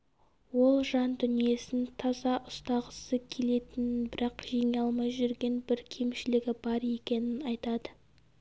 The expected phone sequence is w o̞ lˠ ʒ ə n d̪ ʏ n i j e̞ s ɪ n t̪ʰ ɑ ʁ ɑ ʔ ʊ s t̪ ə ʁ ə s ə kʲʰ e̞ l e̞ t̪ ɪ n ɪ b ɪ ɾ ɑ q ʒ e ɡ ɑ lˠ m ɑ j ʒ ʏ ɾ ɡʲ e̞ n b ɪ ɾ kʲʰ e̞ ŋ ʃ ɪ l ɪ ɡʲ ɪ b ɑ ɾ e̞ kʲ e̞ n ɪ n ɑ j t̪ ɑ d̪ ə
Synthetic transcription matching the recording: w o̞ lˠ ʒ ɑ n d̪ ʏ n i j e̞ s ɪ n t̪ʰ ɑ z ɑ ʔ ʊ s t̪ ɑ ʁ ə s ə kʲʰ e̞ l e̞ t̪ ɪ n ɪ b ɪ ɾ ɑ q ʒ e ŋ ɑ lˠ m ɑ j ʒ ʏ ɾ ɡʲ e̞ n b ɪ ɾ kʲʰ e̞ m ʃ ɪ l ɪ ɡʲ ɪ b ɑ ɾ e̞ kʲ e̞ n ɪ n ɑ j t̪ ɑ d̪ ə